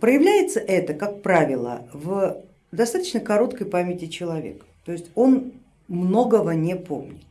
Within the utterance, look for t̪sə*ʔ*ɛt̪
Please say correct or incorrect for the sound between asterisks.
correct